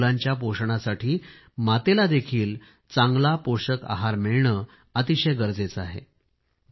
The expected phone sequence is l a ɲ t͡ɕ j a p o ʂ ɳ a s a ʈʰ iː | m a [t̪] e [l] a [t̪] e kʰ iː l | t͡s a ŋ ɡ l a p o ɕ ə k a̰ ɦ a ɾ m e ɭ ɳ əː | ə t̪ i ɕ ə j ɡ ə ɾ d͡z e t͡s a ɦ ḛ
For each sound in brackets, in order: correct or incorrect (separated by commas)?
correct, correct, incorrect